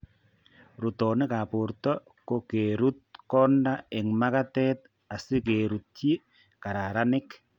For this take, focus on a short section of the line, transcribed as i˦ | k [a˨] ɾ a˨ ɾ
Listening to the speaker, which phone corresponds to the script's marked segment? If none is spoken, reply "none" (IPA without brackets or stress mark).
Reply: a˨